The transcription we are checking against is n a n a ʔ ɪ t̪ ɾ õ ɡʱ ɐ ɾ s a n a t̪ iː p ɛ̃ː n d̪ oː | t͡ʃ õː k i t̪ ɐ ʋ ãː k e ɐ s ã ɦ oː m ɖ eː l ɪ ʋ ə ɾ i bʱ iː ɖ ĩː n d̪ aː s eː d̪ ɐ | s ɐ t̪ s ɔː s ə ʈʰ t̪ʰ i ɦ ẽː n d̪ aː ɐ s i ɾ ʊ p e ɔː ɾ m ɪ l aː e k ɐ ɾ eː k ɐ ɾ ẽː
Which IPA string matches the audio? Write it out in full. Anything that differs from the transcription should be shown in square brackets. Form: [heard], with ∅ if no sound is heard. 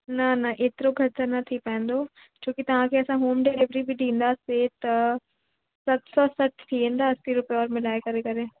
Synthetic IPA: n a n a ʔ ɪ t̪ ɾ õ ɡʱ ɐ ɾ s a n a [t̪ʰ] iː p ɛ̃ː n d̪ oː | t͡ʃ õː k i t̪ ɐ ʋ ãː k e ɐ s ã ɦ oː m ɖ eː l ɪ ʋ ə ɾ i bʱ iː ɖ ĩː n d̪ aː s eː [t̪] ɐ | s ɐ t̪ s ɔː s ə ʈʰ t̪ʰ i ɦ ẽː n d̪ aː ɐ s i ɾ ʊ p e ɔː ɾ m ɪ l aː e k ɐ ɾ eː k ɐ ɾ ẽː